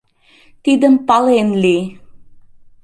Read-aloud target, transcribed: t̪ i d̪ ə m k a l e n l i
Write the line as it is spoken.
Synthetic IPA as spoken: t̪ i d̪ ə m p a l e n l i